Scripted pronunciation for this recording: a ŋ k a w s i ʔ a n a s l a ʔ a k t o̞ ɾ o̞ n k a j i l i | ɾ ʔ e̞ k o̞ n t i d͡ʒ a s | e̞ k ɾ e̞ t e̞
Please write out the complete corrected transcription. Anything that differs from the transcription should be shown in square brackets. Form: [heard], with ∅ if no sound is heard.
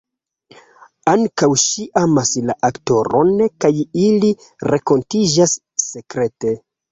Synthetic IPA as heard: a ŋ k a w [ʃ] i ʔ a [m] a s l a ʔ a k t o̞ ɾ o̞ n k a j i l i | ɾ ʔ e̞ k o̞ n t i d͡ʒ a [sː] | e̞ k ɾ e̞ t e̞